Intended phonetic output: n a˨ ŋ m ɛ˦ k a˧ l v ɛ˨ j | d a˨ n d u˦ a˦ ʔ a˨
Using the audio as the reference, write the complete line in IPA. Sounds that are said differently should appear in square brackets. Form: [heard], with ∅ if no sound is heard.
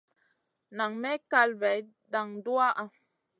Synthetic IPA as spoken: n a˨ ŋ m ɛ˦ k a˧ l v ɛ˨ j | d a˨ [ŋ] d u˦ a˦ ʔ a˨